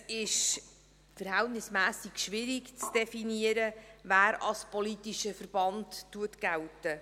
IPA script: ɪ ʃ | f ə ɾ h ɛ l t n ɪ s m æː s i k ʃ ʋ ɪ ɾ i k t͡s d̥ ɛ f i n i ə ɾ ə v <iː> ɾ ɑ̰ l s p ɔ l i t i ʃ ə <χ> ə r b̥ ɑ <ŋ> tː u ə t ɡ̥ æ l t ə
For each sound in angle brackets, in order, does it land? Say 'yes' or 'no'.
no, no, no

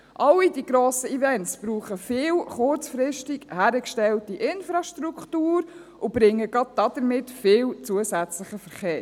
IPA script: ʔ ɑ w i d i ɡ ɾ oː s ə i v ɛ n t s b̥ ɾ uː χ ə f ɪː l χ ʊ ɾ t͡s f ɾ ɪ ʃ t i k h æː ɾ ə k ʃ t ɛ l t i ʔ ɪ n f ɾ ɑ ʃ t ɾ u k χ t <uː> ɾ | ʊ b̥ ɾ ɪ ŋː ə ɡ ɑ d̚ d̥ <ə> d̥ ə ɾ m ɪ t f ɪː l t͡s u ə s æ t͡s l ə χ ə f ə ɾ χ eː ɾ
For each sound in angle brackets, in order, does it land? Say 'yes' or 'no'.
yes, no

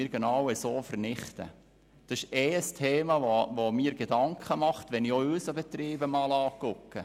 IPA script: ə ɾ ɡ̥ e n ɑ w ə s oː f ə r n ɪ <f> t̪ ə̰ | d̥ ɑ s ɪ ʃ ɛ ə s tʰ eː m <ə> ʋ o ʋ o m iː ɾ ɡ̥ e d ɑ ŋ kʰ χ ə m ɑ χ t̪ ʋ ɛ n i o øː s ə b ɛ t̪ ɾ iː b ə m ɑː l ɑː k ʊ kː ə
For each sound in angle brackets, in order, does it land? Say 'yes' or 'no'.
no, no

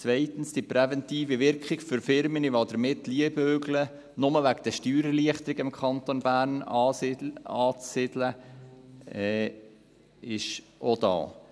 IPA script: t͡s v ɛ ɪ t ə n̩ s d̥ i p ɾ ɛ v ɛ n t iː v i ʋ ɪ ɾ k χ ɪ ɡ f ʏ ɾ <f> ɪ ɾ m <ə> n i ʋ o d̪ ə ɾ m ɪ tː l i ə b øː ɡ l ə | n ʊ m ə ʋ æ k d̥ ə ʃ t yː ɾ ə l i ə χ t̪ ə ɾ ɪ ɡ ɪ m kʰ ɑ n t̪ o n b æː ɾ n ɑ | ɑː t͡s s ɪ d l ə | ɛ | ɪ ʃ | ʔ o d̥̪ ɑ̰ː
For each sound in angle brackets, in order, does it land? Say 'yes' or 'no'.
yes, yes

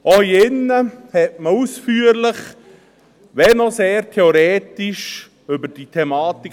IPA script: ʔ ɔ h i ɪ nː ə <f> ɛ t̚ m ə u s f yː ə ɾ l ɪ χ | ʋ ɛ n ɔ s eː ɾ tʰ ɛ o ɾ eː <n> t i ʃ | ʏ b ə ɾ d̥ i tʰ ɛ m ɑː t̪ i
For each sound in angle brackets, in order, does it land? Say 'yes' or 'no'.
no, no

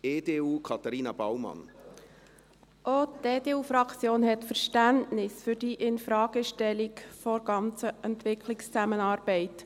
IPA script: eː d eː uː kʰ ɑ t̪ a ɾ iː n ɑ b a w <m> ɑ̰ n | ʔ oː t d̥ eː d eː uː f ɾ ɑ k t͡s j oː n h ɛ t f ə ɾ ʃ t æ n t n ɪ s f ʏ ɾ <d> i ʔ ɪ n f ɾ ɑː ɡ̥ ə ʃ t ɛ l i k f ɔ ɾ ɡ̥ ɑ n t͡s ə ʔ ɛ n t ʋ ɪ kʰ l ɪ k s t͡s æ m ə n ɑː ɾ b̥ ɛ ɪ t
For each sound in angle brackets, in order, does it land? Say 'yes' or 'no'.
yes, yes

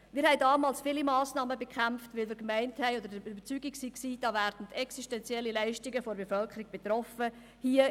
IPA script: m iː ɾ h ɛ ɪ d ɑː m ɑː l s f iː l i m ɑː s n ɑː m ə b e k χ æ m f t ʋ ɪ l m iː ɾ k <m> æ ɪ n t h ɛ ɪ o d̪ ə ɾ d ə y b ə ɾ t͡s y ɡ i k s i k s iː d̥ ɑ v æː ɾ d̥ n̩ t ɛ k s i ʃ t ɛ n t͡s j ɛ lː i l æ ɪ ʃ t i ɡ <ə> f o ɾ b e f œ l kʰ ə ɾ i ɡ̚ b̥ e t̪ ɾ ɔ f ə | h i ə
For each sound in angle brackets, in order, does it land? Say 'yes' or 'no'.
yes, yes

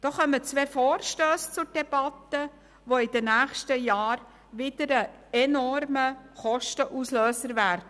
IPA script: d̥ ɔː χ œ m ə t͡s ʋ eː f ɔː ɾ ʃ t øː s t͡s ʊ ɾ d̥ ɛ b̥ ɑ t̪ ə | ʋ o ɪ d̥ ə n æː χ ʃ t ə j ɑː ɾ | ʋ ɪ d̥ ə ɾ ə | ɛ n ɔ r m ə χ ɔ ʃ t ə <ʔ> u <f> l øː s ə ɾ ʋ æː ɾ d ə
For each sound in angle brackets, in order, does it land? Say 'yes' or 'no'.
yes, no

